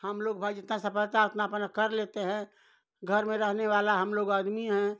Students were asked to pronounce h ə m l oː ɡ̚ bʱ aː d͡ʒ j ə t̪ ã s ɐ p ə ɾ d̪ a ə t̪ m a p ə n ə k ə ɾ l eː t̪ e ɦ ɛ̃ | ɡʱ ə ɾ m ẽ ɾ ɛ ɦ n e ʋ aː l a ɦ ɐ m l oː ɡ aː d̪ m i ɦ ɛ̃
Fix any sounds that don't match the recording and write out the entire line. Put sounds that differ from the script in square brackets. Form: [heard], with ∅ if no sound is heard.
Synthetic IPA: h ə m l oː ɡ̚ bʱ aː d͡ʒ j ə t̪ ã s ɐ p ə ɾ [t̪] a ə t̪ [n] a p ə n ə k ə ɾ l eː t̪ e ɦ ɛ̃ | ɡʱ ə ɾ m ẽ ɾ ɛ ɦ n e ʋ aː l a ɦ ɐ m l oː ɡ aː d̪ m i ɦ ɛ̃